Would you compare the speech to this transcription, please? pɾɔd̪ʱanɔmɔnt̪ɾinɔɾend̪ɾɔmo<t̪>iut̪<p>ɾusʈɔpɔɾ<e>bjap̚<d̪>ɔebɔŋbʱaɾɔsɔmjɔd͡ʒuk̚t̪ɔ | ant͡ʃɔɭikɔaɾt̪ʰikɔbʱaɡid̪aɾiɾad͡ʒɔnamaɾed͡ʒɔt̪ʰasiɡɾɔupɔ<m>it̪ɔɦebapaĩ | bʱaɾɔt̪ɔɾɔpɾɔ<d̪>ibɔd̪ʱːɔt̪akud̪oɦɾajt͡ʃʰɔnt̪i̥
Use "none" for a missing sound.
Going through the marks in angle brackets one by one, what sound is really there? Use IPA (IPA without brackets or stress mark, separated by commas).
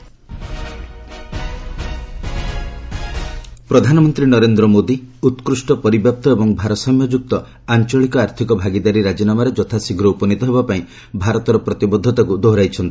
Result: d̪, k, i, t̪, n, t̪